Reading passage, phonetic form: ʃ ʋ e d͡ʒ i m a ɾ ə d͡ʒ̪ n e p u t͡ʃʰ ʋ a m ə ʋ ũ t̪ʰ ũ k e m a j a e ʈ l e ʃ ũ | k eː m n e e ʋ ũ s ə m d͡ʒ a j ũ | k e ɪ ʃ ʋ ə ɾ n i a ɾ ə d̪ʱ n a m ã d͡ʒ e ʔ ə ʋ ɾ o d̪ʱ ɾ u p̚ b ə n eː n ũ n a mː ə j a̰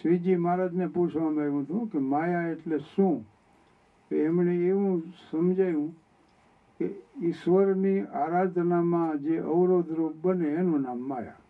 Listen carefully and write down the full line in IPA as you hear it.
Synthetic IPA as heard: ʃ ʋ i d͡ʒ i m a ɾ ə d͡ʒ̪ n e p u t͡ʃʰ ʋ a m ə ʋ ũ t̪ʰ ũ k e m a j a e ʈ l e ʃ ũ | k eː m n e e ʋ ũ s ə m d͡ʒ a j ũ | k e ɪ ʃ ʋ ə ɾ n i a ɾ a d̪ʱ n a m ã d͡ʒ e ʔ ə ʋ ɾ o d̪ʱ ɾ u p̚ b ə n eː n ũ n a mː a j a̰